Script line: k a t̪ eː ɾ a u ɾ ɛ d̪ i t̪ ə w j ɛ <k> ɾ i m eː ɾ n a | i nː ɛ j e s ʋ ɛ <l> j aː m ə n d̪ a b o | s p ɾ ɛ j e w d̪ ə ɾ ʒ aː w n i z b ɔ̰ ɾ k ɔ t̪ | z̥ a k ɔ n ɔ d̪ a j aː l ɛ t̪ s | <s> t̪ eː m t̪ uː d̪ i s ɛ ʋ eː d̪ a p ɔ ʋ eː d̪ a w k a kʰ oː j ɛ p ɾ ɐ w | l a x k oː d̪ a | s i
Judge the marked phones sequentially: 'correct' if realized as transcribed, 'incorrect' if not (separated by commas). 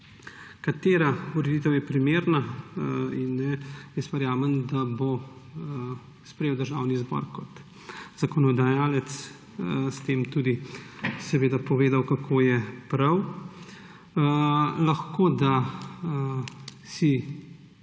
incorrect, incorrect, correct